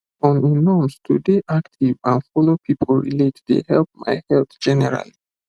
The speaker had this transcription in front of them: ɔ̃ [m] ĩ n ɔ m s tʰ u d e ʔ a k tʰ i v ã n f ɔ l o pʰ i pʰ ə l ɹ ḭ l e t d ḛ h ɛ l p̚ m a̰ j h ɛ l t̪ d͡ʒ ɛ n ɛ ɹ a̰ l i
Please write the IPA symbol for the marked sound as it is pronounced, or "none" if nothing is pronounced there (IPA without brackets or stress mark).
n